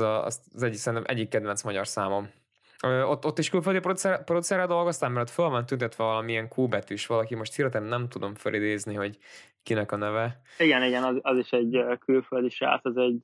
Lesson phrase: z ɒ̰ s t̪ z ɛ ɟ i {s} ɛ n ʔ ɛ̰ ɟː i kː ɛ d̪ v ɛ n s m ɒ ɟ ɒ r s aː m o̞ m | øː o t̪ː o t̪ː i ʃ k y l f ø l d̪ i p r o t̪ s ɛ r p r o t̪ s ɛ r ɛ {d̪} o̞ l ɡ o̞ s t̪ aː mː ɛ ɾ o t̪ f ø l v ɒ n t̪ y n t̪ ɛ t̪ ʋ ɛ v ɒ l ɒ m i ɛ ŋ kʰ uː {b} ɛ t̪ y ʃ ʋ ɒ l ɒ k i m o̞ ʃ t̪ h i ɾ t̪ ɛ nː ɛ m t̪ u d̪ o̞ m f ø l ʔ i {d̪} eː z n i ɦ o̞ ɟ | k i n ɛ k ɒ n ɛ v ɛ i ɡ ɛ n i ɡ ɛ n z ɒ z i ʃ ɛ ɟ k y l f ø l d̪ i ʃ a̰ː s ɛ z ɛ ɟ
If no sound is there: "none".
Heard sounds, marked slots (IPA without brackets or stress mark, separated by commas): s, d̪, b, d̪